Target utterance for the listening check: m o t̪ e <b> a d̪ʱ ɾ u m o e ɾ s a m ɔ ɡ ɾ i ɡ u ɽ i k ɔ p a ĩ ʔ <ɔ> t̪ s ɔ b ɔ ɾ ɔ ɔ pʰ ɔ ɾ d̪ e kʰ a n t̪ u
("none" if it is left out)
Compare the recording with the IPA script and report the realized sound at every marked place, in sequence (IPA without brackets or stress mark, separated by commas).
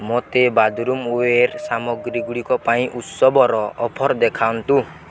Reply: b, u